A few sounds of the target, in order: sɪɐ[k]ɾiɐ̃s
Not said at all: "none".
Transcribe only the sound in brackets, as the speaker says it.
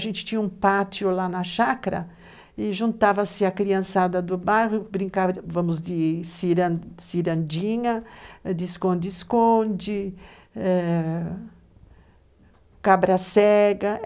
k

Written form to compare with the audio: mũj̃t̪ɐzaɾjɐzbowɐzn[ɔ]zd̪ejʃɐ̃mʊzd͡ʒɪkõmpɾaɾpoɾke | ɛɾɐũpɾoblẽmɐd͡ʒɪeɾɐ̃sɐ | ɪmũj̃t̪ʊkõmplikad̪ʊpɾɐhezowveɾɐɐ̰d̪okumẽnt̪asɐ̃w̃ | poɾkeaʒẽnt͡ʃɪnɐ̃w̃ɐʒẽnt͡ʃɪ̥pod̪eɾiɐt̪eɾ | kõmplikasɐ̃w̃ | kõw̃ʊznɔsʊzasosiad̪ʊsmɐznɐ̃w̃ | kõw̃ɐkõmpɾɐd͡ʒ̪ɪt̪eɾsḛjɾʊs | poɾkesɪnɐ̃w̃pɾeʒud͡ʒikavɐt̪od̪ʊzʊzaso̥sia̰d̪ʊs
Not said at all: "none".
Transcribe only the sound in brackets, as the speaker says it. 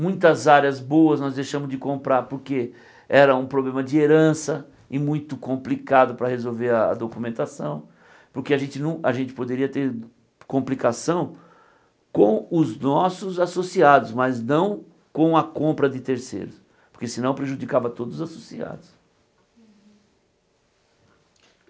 ɔ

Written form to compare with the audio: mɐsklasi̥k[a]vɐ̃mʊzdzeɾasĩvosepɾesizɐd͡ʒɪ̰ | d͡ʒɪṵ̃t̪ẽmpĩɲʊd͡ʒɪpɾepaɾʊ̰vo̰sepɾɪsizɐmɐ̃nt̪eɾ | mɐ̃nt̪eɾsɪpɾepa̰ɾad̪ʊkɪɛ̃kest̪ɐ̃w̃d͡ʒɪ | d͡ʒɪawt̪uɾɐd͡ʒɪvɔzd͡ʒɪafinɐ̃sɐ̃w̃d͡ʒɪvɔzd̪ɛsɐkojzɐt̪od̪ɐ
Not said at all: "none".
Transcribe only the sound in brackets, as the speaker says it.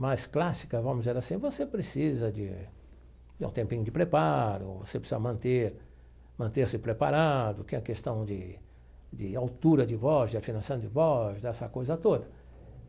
ɐ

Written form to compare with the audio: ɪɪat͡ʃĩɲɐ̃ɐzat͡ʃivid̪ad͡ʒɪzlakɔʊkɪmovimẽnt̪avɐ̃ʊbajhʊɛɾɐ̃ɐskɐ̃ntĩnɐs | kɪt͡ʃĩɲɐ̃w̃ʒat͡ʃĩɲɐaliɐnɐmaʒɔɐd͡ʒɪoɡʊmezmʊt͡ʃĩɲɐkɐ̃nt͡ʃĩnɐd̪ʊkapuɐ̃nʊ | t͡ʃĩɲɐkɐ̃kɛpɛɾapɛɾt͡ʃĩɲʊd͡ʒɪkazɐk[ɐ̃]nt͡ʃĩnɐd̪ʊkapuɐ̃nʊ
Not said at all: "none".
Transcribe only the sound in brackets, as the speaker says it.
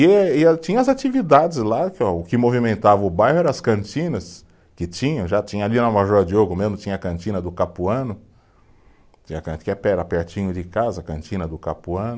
ɐ̃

